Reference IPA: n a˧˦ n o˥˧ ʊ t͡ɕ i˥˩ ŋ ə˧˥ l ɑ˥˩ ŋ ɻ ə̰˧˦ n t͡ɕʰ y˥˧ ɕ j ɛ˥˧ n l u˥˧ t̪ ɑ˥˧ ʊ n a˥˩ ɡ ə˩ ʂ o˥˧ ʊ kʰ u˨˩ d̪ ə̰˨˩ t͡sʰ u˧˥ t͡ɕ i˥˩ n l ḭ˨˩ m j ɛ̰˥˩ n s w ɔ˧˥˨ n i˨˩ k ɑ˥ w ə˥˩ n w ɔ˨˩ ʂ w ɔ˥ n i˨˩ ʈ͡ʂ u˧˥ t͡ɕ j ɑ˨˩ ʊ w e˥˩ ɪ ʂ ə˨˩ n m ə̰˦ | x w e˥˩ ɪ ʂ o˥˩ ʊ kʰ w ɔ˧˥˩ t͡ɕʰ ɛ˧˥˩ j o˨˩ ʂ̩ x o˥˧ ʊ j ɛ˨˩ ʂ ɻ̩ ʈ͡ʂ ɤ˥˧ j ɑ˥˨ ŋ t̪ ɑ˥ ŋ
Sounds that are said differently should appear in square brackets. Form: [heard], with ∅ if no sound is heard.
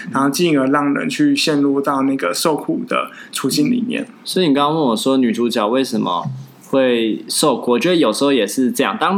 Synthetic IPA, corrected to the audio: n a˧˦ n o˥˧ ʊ t͡ɕ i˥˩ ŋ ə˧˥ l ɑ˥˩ ŋ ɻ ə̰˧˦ n t͡ɕʰ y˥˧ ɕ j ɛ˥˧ n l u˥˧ t̪ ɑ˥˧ ʊ n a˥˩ ɡ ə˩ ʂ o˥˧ ʊ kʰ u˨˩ d̪ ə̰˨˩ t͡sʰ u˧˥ t͡ɕ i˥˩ n l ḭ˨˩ m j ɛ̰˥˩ n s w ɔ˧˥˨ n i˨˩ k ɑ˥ w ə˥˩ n w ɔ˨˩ ʂ w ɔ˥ n [y˨˩] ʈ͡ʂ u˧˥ t͡ɕ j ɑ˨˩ ʊ w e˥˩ ɪ ʂ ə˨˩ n m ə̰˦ | x w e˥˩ ɪ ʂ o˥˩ ʊ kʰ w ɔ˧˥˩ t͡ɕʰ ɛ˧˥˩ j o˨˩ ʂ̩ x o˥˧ ʊ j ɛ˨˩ ʂ ɻ̩ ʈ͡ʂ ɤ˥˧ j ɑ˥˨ ŋ t̪ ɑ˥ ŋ